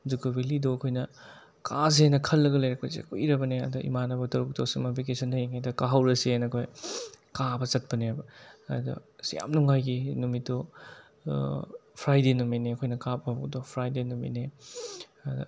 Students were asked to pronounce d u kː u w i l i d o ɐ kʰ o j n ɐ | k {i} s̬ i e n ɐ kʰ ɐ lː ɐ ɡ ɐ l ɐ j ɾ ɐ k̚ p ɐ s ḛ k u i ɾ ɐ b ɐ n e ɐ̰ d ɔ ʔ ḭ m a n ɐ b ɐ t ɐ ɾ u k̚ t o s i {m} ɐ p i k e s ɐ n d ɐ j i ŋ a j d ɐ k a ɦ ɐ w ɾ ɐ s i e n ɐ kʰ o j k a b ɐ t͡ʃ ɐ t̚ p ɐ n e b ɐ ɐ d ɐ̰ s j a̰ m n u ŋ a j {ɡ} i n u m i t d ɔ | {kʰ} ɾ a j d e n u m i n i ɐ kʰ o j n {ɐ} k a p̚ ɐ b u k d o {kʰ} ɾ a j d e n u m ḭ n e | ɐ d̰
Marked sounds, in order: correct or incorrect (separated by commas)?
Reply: incorrect, correct, correct, incorrect, correct, incorrect